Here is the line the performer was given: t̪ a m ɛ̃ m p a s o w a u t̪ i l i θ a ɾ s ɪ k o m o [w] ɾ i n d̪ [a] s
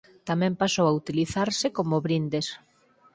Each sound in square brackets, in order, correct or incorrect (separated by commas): incorrect, incorrect